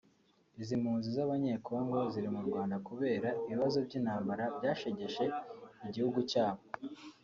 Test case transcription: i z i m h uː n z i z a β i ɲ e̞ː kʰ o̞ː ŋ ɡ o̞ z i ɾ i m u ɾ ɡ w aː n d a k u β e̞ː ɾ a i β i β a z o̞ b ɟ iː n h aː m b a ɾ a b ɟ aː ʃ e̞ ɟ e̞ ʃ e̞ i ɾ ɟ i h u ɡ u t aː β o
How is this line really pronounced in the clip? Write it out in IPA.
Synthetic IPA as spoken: i z i m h uː n z i z a β a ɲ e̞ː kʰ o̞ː ŋ ɡ o̞ z i ɾ i m u ɾ ɡ w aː n d a k u β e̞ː ɾ a i β i β a z o̞ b ɟ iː n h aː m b a ɾ a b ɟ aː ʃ e̞ ɟ e̞ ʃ e̞ i ɟ i h u ɡ u c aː β o

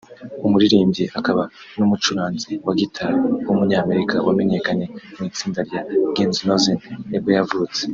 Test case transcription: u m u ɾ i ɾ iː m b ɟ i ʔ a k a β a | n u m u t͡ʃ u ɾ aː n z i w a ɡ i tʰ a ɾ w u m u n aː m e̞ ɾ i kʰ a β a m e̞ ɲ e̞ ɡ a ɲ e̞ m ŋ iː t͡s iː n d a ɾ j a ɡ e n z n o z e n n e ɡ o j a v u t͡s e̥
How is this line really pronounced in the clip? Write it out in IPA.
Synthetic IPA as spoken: u m u ɾ i ɾ iː m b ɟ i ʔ a k a β a | n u m u t͡ʃ u ɾ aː n z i w a ɡ i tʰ a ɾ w u m u ɲ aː m e̞ ɾ i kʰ a w a m e̞ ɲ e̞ k a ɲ e̞ m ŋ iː t͡s iː n d a ɾ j a ɡ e n z n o z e n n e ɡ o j a v u t͡s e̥

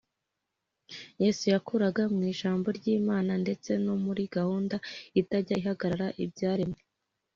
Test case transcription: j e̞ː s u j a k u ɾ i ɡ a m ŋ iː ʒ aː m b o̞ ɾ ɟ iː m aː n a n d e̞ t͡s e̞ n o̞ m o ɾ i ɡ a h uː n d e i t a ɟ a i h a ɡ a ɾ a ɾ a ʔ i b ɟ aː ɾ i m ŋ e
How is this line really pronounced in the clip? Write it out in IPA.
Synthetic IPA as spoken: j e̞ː s u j a k u ɾ a ɡ a m ŋ iː ʒ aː m b o̞ ɾ ɟ iː m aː n a n d e̞ t͡s e̞ n o̞ m u ɾ i ɡ a h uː n d a i t a ɟ a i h a ɡ a ɾ a ɾ a ʔ i b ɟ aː ɾ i m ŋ e

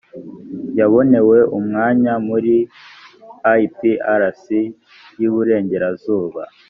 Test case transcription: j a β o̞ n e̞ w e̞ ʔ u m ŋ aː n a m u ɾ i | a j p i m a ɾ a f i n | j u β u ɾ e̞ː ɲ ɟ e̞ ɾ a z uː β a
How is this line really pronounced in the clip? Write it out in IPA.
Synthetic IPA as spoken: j a β o̞ n e̞ w e̞ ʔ u m ŋ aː ɲ a m u ɾ i | a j p i a ɾ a s i | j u β u ɾ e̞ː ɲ ɟ e̞ ɾ a z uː β a

